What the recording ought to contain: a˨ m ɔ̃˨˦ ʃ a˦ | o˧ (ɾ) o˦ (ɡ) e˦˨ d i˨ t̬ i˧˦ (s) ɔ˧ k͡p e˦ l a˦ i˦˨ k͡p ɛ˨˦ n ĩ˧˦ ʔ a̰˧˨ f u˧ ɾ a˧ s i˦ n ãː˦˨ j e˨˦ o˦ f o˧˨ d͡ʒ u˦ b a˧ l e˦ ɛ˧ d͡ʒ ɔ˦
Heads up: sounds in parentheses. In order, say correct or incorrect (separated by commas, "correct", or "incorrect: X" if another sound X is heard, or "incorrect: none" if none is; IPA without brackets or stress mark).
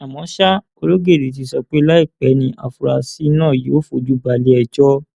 incorrect: l, correct, correct